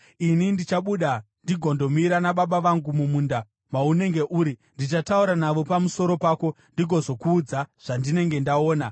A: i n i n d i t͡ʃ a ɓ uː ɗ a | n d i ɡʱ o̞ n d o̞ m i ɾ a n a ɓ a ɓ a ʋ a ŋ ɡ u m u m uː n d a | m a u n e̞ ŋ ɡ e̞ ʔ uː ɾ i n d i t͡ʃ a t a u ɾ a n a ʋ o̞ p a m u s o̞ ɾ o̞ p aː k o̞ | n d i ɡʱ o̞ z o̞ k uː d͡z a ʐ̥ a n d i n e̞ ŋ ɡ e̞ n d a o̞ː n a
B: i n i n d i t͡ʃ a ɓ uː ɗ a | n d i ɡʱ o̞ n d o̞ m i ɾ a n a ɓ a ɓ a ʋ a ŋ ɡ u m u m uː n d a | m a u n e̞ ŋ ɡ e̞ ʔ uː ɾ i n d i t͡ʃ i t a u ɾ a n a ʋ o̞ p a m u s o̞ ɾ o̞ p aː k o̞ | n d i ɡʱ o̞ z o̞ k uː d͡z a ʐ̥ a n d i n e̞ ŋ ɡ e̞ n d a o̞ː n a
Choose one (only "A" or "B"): A